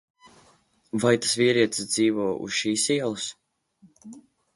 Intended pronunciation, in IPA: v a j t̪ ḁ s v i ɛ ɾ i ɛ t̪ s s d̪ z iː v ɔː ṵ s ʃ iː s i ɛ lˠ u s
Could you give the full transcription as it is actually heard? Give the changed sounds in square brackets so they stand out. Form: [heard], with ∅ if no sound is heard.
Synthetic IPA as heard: v a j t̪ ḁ s v i ɛ ɾ i ɛ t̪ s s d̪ z iː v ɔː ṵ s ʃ iː s i ɛ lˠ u s